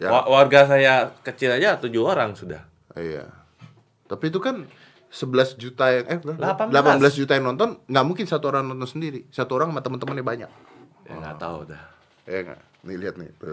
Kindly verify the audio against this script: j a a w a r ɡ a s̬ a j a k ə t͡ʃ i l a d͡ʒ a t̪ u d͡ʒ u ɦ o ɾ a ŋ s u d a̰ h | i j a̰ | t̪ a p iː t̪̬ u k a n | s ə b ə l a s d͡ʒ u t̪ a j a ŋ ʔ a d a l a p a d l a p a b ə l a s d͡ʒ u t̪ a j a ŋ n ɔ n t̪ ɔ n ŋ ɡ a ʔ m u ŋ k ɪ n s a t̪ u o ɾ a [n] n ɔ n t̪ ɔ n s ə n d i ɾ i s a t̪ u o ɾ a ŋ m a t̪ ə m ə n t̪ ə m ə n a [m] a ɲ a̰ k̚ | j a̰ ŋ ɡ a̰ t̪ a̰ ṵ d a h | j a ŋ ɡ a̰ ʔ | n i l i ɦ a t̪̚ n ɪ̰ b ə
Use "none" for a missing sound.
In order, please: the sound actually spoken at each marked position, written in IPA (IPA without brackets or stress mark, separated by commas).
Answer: ŋ, b